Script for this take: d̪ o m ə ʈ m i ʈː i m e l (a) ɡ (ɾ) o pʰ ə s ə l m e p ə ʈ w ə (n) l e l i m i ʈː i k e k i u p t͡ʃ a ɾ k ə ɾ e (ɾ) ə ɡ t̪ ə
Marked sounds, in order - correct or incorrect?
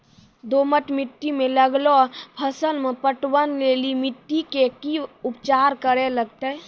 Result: incorrect, incorrect, correct, incorrect

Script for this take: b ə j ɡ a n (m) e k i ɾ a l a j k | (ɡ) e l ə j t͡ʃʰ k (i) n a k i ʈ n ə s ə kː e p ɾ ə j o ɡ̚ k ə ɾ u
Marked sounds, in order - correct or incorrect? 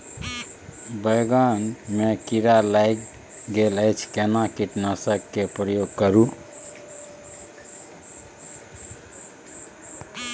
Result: correct, correct, incorrect

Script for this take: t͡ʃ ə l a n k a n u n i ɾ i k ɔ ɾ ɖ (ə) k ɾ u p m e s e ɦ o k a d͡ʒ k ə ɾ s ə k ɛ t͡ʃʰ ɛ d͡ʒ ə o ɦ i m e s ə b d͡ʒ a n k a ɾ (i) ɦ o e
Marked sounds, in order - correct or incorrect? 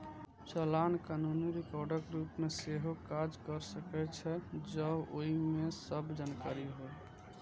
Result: correct, correct

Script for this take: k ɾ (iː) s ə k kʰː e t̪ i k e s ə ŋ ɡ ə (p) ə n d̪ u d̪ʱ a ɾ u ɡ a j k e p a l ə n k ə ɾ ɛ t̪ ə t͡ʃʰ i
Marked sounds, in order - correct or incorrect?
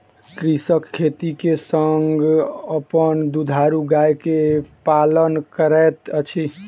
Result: incorrect, correct

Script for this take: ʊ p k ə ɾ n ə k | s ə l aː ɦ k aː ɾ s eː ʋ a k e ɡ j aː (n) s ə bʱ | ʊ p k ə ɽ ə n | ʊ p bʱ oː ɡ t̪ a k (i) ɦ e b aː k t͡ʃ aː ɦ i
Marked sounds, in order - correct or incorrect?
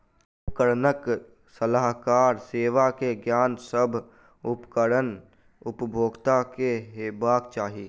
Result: correct, incorrect

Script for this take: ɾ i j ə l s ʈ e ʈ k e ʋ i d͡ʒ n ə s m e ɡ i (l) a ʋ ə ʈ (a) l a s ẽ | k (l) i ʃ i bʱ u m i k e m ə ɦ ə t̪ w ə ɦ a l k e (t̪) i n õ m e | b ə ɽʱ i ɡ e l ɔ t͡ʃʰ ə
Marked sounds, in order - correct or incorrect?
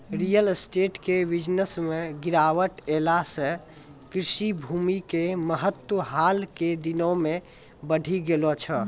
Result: incorrect, incorrect, incorrect, incorrect

